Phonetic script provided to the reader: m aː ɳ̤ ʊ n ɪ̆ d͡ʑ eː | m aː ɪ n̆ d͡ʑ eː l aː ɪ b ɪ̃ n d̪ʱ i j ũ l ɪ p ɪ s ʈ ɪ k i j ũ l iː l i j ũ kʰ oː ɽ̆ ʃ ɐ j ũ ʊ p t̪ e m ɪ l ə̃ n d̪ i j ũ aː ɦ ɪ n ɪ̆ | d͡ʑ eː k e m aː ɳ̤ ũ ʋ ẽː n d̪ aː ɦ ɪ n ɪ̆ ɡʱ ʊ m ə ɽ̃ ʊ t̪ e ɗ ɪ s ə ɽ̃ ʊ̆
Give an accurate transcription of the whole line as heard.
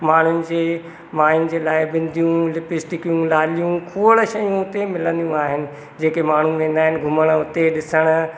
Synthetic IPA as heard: m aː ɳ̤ ʊ n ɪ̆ d͡ʑ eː | m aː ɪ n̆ d͡ʑ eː l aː ɪ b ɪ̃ n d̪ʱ i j ũ l ɪ p ɪ s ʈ ɪ k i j ũ l aː l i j ũ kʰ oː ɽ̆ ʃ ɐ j ũ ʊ t̪ e m ɪ l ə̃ n d̪ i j ũ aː ɦ ɪ n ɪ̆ | d͡ʑ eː k e m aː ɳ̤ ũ ʋ ẽː n d̪ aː ɦ ɪ n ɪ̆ ɡʱ ʊ m ə ɽ̃ ʊ t̪ e ɗ ɪ s ə ɽ̃ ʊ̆